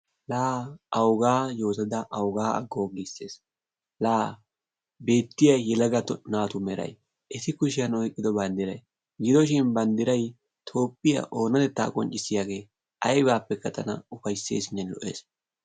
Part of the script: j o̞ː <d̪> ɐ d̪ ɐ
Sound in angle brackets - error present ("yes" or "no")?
yes